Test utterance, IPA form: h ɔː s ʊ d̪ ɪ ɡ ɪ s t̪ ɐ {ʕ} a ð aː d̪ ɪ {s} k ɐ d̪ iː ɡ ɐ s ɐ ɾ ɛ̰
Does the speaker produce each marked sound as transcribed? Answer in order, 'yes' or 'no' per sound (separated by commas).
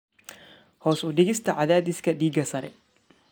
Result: yes, yes